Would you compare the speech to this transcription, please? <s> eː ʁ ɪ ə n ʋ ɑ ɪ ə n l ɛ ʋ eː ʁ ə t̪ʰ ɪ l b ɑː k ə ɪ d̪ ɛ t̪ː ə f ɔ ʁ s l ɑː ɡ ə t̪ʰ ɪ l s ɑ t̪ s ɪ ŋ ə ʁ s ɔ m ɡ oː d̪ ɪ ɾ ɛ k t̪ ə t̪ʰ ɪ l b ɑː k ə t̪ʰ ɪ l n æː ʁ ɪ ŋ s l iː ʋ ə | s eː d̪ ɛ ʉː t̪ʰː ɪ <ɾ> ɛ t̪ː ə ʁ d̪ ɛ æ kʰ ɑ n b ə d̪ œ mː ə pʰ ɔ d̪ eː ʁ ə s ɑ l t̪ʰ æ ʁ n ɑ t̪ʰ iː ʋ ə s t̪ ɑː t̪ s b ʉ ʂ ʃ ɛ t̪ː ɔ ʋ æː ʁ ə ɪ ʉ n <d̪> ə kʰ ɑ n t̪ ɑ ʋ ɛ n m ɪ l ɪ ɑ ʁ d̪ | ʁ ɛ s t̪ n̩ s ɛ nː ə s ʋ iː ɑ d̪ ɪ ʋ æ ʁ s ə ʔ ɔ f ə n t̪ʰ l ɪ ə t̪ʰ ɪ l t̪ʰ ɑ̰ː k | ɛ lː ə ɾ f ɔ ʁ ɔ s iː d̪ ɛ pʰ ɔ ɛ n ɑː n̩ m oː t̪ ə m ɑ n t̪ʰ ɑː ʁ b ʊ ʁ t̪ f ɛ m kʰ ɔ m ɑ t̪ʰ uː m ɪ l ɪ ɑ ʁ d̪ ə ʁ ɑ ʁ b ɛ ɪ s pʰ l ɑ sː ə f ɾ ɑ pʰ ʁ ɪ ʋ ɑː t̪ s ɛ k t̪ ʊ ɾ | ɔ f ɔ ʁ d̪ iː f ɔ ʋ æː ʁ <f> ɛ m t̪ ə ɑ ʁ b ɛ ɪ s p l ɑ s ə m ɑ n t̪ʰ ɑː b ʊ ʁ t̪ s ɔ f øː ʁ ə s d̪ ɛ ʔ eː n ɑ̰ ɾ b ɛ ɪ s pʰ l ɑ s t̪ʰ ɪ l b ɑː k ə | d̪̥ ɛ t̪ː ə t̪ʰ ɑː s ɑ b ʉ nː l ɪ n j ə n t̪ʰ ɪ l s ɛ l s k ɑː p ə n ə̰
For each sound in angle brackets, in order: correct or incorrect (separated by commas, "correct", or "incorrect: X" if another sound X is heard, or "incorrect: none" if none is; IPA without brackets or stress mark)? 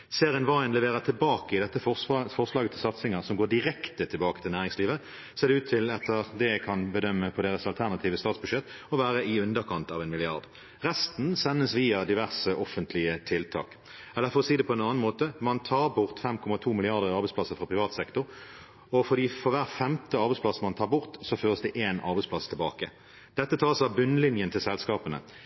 correct, incorrect: l, correct, correct